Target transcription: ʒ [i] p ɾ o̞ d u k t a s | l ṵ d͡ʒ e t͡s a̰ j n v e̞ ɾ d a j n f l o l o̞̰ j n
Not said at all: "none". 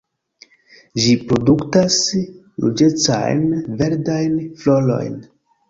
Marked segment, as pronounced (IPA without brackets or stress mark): i